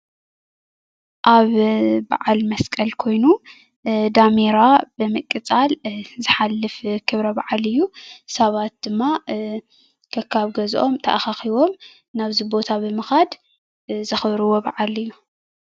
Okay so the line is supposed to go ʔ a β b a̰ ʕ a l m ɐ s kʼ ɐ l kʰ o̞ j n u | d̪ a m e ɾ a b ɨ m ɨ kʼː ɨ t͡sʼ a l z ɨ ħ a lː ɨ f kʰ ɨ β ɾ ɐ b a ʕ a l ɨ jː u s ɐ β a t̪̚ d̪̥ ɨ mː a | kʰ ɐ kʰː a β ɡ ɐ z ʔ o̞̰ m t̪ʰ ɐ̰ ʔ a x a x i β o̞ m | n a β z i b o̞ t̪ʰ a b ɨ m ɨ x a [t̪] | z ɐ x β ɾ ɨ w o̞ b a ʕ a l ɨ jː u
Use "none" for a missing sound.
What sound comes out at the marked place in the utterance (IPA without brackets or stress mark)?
d̪